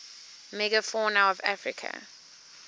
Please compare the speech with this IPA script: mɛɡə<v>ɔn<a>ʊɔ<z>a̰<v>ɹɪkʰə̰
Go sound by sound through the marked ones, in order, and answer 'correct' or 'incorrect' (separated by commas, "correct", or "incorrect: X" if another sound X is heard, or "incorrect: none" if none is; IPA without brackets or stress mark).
incorrect: f, correct, incorrect: v, incorrect: f